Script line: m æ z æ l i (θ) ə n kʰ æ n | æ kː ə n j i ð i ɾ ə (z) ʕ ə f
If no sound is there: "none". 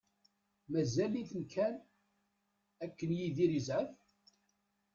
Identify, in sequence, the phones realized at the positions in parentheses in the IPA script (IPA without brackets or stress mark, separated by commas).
θ, z